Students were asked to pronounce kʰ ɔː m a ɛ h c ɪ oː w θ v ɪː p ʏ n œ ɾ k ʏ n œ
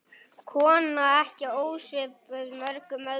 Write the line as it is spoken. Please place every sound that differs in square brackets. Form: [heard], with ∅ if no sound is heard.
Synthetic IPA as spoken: kʰ ɔː [n] a ɛ h c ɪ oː w [s] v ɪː p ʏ [m] œ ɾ k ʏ [m] œ